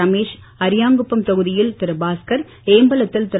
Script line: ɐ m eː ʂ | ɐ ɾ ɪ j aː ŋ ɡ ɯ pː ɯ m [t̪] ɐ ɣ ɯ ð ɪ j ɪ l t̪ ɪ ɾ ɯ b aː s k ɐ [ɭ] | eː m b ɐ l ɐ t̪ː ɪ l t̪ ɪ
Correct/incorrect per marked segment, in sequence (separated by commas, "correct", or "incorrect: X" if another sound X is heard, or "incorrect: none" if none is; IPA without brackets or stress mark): correct, incorrect: ɾ